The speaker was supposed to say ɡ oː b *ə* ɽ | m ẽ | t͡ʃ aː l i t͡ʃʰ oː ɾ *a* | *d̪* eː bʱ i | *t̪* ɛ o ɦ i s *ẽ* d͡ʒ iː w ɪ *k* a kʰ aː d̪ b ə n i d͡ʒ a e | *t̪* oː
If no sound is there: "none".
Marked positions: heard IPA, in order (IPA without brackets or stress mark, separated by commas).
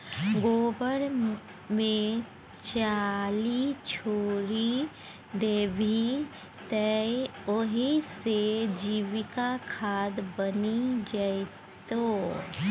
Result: ə, i, d̪, t̪, e, k, t̪